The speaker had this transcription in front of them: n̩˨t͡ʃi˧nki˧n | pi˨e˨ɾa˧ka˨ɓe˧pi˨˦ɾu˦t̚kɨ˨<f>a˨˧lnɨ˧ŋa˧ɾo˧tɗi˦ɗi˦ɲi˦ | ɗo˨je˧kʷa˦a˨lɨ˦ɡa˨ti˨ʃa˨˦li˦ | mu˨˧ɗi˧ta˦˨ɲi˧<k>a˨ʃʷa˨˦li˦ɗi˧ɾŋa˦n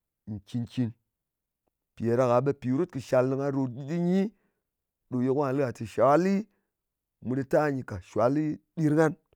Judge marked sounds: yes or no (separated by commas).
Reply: no, yes